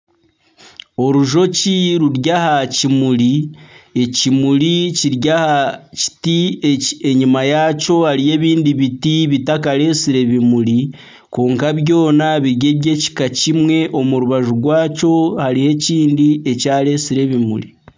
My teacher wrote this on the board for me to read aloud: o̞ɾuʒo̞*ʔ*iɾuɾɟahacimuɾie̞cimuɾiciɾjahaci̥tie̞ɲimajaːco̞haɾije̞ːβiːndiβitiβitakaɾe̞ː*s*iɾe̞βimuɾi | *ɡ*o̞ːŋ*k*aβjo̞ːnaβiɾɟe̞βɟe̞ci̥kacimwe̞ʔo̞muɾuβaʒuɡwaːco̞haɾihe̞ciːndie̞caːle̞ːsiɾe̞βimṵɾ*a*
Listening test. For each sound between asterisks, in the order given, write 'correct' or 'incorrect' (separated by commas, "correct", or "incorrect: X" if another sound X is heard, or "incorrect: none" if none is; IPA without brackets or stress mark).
incorrect: c, correct, incorrect: k, correct, incorrect: i